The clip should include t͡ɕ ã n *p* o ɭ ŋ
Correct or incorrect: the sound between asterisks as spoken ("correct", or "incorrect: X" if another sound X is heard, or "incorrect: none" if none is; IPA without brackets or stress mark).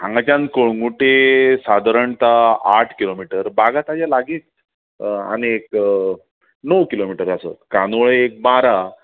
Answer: incorrect: k